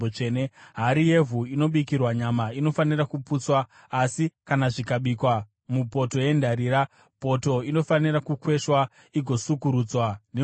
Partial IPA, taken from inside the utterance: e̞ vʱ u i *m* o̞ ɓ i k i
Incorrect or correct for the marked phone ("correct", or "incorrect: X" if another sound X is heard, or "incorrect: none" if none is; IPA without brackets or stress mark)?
incorrect: n